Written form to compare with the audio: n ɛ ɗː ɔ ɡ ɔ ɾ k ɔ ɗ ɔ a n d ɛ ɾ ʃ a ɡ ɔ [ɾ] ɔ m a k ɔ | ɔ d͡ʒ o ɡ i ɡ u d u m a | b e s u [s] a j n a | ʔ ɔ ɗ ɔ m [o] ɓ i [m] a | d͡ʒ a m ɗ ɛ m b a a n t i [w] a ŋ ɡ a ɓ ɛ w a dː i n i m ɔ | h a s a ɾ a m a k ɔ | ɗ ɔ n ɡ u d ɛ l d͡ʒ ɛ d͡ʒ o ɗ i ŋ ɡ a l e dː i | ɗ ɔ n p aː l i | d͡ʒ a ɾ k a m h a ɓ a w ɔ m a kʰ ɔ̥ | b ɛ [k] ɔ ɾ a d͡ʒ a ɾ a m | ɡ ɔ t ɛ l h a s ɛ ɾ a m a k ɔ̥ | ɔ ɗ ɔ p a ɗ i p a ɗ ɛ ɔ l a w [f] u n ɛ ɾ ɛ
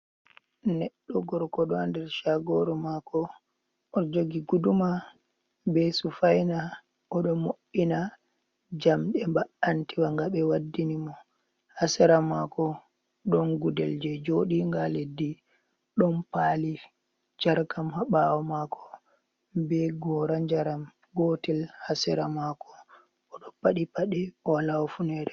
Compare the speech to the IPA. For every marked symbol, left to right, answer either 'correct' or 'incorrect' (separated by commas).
correct, incorrect, correct, incorrect, correct, incorrect, correct